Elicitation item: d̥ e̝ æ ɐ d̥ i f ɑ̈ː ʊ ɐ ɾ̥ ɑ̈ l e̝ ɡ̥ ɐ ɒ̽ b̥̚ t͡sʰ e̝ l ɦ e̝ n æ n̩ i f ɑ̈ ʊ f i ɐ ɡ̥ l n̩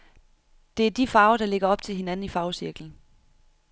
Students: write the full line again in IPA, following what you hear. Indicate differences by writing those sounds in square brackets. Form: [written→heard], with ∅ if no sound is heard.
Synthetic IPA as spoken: d̥ e̝ æ ɐ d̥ i f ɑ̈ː ʊ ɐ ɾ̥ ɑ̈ l e̝ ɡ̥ ɐ ɒ̽ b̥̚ t͡sʰ e̝ l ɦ e̝ n æ n̩ i f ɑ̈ ʊ [f→s] i ɐ ɡ̥ l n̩